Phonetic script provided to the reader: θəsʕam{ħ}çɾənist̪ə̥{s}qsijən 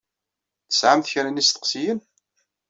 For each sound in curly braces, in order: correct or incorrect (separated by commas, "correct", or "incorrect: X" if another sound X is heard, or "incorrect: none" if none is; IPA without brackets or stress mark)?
incorrect: θ, incorrect: none